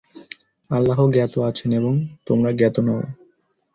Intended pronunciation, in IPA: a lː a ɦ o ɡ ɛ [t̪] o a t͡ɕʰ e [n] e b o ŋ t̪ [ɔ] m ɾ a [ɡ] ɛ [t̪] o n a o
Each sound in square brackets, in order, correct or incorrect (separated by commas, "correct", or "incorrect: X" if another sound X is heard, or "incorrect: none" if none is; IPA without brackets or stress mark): correct, correct, incorrect: o, correct, correct